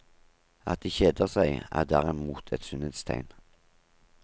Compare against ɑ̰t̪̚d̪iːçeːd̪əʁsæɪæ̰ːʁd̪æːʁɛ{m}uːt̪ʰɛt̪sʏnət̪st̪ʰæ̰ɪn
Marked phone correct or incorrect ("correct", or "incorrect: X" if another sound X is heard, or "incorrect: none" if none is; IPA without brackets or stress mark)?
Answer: correct